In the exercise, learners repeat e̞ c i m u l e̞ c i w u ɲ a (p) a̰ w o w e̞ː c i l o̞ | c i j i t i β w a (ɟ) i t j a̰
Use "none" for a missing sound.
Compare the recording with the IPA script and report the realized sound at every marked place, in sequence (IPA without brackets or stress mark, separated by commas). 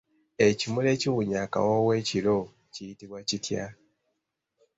k, c